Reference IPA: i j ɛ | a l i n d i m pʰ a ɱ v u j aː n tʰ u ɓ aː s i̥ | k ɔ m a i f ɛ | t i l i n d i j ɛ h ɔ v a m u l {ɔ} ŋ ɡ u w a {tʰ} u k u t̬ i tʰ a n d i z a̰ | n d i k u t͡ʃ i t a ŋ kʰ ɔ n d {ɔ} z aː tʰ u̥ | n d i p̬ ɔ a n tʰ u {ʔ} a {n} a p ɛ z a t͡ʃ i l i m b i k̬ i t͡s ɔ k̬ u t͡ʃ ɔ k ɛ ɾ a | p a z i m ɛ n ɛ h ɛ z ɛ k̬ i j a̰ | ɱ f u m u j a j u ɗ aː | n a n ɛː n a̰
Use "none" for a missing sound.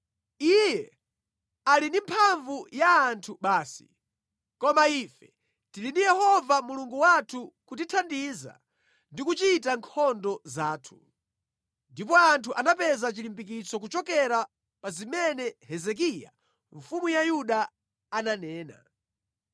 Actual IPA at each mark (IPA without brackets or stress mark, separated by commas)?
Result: u, tʰ, ɔ, ʔ, n